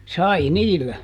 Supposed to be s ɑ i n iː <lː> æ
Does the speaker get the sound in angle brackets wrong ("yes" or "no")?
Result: no